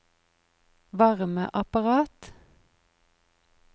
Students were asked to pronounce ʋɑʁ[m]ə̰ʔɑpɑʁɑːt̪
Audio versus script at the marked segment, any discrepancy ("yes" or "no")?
no